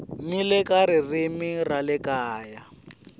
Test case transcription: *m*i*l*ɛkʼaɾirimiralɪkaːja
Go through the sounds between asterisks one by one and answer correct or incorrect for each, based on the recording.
correct, correct

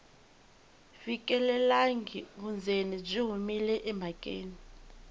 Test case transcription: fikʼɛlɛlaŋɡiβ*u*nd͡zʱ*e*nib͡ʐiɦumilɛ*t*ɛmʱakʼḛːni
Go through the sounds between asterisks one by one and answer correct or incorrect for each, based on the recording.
correct, correct, incorrect: ʔ

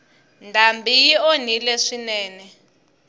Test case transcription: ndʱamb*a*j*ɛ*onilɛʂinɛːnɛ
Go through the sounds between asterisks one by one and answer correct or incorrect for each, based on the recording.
incorrect: i, incorrect: i

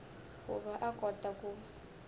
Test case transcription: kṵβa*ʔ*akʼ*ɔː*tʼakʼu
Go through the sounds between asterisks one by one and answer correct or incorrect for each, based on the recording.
correct, incorrect: ɔ

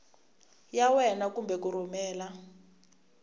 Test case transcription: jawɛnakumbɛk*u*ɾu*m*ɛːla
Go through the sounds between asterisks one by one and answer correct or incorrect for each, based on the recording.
correct, correct

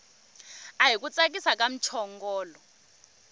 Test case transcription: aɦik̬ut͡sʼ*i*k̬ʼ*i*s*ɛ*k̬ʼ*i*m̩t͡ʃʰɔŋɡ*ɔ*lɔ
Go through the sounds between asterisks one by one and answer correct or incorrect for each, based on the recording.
incorrect: a, correct, incorrect: a, incorrect: a, incorrect: ɔː

